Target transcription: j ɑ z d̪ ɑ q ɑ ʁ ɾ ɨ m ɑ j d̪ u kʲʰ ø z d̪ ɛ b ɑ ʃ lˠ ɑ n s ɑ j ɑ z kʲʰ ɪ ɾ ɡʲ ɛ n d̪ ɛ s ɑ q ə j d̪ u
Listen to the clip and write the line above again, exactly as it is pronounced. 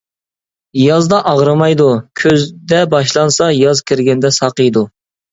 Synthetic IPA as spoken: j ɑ z d̪ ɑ ʔ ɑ ʁ ɾ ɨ m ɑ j d̪ u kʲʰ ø z d̪ ɛ b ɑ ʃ lˠ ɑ n s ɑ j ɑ z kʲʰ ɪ ɾ ɡʲ ɛ n d̪ ɛ s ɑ q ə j d̪ u